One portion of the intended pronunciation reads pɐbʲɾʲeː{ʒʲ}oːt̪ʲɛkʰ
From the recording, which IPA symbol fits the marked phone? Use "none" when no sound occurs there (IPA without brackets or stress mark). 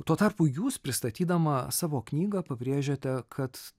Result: ʒʲ